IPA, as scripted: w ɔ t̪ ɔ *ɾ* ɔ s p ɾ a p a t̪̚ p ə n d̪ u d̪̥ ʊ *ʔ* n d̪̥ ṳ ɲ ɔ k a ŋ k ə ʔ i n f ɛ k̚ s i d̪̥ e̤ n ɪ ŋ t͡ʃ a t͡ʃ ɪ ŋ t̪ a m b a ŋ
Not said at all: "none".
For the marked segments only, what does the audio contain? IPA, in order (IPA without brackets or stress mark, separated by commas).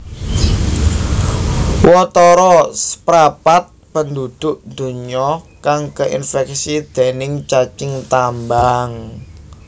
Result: ɾ, ʔ